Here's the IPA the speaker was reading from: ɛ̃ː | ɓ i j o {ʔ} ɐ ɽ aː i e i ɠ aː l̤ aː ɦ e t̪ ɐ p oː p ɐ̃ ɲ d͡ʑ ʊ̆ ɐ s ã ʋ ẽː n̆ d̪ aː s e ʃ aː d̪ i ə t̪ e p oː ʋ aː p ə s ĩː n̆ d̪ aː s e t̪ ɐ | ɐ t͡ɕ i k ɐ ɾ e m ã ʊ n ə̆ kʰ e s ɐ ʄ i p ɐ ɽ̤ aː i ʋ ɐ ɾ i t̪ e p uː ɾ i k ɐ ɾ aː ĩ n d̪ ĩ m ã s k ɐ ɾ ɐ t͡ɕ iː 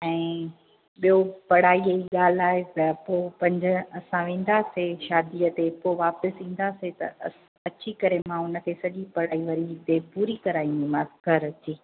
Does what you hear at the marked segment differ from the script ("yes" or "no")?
yes